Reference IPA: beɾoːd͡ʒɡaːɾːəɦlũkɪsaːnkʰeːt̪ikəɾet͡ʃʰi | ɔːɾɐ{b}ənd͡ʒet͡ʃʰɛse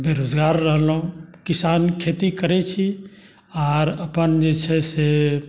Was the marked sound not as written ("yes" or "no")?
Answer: yes